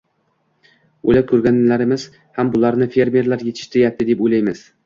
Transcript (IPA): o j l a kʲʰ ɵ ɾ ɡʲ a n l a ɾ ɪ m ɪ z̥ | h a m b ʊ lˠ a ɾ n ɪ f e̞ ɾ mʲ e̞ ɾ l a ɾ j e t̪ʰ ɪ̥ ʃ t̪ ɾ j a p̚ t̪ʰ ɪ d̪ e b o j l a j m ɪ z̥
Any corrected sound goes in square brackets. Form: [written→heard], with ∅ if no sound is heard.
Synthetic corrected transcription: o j l a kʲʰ ɵ ɾ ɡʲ a n l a ɾ ɪ m ɪ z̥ | h a m b ʊ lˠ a ɾ n ɪ f e̞ ɾ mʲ e̞ ɾ l a ɾ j e t̪ʰ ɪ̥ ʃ t̪ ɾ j a p̚ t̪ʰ ɪ d̪ e [b→p] o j l a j m ɪ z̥